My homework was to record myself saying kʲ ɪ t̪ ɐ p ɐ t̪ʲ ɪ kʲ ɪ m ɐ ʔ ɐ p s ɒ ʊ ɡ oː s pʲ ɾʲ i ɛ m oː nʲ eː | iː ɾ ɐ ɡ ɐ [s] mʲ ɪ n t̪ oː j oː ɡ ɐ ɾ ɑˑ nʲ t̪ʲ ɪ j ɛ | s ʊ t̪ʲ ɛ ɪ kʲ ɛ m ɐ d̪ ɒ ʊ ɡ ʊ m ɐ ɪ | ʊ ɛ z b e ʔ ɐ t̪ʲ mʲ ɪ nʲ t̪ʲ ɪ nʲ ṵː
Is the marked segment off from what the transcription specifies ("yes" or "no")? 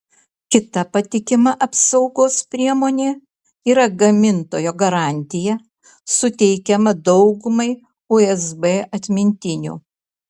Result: yes